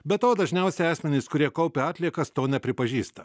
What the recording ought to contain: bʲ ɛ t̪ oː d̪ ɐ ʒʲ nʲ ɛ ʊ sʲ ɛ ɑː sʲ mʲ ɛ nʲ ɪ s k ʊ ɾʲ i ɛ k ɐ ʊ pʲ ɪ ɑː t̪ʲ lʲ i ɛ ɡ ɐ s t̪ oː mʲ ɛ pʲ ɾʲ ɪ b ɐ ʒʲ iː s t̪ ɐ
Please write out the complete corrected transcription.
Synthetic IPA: bʲ ɛ t̪ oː d̪ ɐ ʒʲ nʲ ɛ ʊ sʲ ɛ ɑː sʲ mʲ ɛ nʲ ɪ s k ʊ ɾʲ i ɛ k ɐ ʊ pʲ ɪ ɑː t̪ʲ lʲ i ɛ k ɐ s t̪ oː nʲ ɛ pʲ ɾʲ ɪ p ɐ ʒʲ iː s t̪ ɐ